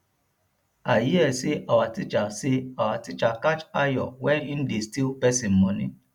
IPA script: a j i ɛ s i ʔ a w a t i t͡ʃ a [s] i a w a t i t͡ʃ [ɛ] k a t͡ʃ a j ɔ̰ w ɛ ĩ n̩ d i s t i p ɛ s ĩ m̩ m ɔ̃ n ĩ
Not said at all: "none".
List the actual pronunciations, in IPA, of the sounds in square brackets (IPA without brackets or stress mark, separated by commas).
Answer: s, a